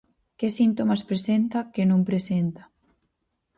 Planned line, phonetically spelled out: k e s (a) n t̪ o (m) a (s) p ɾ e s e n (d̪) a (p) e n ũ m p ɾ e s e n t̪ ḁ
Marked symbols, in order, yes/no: no, yes, yes, no, no

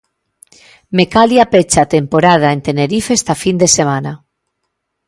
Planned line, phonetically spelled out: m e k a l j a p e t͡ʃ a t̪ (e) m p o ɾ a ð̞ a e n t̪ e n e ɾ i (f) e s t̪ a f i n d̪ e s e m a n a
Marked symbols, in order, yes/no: yes, yes

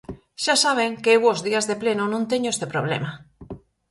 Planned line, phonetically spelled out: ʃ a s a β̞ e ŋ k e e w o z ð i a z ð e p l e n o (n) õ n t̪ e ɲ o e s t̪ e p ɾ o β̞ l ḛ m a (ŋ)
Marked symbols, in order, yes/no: yes, no

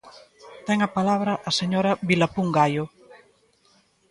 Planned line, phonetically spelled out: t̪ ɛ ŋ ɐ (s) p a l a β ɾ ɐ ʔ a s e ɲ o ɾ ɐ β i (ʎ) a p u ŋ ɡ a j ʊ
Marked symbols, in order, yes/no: no, no

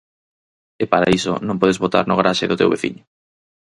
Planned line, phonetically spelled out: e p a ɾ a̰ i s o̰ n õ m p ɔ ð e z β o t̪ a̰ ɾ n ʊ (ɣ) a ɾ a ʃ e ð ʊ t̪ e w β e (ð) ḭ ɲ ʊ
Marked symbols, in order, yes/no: yes, no

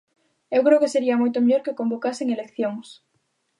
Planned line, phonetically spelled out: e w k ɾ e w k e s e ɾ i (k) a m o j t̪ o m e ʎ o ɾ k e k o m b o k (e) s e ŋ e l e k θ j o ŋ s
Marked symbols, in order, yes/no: no, no

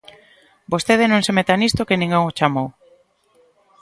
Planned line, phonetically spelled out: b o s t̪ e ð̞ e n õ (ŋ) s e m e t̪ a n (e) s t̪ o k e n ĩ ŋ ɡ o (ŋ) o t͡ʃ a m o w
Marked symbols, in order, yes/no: yes, no, yes

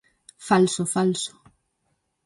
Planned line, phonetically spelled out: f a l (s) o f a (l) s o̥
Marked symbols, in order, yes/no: yes, yes

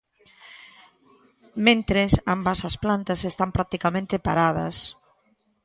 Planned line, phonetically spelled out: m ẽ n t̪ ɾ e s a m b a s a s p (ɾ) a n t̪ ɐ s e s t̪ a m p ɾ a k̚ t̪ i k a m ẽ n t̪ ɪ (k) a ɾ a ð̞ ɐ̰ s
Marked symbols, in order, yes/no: no, no

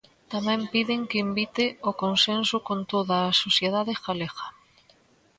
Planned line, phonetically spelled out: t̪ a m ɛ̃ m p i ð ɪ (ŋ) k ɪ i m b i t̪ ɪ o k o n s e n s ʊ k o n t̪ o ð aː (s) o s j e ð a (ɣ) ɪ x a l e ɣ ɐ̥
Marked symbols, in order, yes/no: yes, yes, no

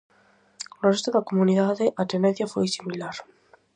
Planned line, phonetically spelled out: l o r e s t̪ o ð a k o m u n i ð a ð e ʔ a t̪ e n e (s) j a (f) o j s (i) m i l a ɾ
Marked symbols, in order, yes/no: no, yes, yes

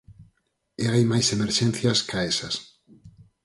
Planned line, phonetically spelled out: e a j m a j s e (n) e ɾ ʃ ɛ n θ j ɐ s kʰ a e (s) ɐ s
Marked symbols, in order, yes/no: no, yes

